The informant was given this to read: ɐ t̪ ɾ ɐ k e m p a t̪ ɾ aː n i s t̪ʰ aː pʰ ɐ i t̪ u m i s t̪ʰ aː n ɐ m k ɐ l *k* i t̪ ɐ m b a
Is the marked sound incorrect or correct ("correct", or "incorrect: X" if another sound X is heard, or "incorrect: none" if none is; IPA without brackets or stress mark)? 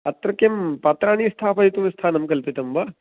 incorrect: p